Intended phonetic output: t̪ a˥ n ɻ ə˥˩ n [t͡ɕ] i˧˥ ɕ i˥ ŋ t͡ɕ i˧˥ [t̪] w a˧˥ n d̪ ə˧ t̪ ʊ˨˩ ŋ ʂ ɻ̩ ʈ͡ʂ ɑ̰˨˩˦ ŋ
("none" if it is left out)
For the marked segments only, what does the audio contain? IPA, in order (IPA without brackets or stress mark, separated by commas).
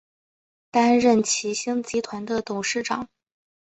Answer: t͡ɕʰ, t̪ʰ